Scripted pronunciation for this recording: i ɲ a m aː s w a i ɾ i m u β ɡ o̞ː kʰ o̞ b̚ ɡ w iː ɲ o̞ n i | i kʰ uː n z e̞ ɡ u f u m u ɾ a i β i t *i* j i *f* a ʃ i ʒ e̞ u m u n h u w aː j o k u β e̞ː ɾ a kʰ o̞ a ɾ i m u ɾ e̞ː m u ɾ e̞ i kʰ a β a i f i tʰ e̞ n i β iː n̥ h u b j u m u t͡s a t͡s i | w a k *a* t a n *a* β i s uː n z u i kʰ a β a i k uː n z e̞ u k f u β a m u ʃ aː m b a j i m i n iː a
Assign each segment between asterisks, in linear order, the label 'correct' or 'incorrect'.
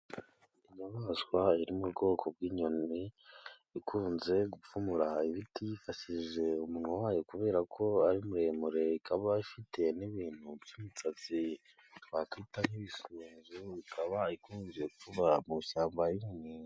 correct, correct, incorrect, incorrect

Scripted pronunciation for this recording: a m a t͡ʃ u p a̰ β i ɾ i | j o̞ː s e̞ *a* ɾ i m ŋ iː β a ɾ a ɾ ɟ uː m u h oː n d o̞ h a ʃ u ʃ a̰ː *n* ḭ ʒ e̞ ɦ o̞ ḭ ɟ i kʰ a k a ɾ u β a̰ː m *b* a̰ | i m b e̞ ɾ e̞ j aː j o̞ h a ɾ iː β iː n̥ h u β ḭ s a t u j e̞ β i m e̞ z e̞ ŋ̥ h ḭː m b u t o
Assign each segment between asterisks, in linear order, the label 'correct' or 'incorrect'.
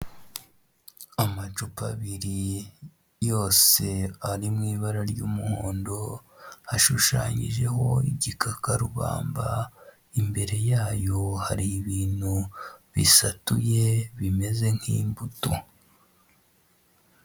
correct, incorrect, correct

